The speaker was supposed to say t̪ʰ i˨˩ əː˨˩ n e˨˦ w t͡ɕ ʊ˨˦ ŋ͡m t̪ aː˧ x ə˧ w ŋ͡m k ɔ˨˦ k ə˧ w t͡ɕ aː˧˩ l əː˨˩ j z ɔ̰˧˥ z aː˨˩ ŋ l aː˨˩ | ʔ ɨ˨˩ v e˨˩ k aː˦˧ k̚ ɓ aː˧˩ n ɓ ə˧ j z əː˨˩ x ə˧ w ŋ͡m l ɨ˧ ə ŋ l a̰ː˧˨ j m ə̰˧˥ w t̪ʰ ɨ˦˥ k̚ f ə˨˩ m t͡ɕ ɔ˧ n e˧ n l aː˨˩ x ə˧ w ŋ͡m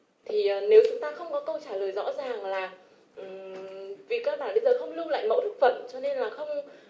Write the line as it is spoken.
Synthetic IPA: t̪ʰ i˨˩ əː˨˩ n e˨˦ w t͡ɕ ʊ˨˦ ŋ͡m t̪ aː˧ x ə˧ w ŋ͡m k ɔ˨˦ k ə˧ w t͡ɕ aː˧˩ l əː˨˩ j z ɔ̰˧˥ z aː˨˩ ŋ l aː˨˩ | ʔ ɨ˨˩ v i˨˩ k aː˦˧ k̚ ɓ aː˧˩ n ɓ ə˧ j z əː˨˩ x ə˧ w ŋ͡m l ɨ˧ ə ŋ l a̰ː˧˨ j m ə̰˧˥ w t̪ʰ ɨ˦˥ k̚ f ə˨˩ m t͡ɕ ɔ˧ n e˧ n l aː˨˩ x ə˧ w ŋ͡m